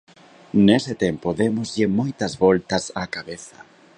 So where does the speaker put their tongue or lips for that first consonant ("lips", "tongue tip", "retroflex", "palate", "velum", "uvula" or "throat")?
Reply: tongue tip